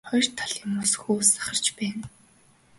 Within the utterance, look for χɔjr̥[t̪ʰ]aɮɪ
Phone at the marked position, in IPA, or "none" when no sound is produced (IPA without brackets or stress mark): t̪ʰ